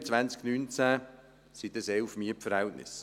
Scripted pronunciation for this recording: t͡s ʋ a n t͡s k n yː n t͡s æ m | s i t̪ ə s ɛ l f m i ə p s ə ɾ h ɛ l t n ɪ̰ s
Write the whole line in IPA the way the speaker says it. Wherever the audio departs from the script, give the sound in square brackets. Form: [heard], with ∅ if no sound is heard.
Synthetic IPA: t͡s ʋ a n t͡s k n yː n t͡s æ [∅] | s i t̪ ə s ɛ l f m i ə p [f] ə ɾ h ɛ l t n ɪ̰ s